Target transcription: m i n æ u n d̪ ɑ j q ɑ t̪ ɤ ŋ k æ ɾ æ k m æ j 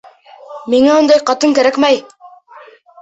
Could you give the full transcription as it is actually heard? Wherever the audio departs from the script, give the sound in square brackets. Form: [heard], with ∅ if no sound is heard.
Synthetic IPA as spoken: m i [ŋ] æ u n d̪ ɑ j q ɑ t̪ ɤ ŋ k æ ɾ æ k m æ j